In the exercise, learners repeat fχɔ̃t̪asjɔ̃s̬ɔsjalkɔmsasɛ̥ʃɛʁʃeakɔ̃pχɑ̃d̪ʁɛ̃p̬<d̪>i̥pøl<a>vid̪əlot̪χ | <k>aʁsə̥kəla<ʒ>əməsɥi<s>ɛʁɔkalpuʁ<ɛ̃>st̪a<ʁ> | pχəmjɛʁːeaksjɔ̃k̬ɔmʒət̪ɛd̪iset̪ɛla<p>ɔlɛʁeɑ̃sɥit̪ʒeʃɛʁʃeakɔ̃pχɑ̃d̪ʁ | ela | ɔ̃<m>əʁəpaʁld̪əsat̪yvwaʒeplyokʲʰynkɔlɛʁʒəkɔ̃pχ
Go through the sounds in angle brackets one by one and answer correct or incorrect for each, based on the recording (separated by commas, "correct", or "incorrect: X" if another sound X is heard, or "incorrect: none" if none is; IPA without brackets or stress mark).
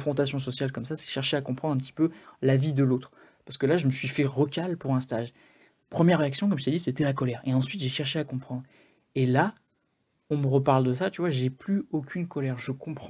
incorrect: t̪, correct, incorrect: p, correct, incorrect: f, correct, incorrect: ʒ, incorrect: k, correct